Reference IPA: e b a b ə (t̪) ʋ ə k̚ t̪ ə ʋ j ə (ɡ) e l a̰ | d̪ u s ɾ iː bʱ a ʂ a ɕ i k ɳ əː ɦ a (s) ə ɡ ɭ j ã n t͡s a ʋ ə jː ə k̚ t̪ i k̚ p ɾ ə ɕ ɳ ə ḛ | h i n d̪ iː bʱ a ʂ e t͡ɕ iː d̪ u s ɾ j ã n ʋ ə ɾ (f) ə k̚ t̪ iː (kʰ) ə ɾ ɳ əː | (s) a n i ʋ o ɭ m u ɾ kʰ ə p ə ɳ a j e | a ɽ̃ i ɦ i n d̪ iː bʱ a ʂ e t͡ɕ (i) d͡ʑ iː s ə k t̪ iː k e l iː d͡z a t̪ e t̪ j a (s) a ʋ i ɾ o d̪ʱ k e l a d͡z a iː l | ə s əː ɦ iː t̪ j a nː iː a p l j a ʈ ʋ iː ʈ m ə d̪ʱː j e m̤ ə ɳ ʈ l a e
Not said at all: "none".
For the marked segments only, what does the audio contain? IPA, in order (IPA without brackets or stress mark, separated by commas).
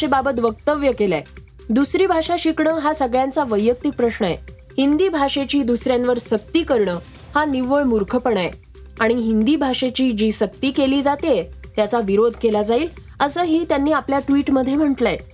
t̪, k, s, s, k, h, iː, t͡s